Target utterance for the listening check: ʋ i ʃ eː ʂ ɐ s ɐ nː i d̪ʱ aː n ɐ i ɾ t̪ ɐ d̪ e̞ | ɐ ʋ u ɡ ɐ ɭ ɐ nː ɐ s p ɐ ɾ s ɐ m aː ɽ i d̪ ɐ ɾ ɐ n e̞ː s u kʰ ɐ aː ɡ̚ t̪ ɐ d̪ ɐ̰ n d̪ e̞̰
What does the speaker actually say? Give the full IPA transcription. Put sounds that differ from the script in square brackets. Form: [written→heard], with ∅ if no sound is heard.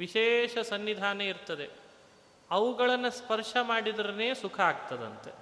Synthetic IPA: ʋ i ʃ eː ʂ ɐ s ɐ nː i d̪ʱ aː n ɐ i ɾ t̪ ɐ d̪ e̞ | ɐ ʋ u ɡ ɐ ɭ ɐ nː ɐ s p ɐ ɾ [s→ʂ] ɐ m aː ɽ i d̪ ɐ ɾ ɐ n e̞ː s u kʰ ɐ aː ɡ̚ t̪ ɐ d̪ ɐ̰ n [d̪→t̪] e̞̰